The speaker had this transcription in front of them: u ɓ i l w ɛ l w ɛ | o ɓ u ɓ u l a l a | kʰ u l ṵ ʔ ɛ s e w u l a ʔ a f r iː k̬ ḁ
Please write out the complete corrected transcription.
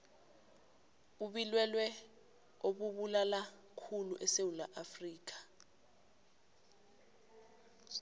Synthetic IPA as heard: u ɓ i l w ɛ l w ɛ | o ɓ u ɓ u l a l a | kʰ u l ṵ ʔ ɛ s e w u l a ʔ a f r iː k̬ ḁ